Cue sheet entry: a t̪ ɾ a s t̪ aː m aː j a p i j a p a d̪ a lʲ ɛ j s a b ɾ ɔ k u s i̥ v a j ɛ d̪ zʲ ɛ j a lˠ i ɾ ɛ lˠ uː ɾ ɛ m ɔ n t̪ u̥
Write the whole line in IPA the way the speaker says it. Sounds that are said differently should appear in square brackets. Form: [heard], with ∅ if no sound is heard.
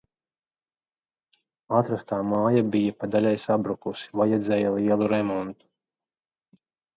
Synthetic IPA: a t̪ ɾ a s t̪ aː m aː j a [b] i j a p a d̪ a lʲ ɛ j s a b ɾ [u] k u s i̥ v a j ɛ d̪ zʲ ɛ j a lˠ i [∅] ɛ lˠ [u] ɾ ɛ m ɔ n t̪ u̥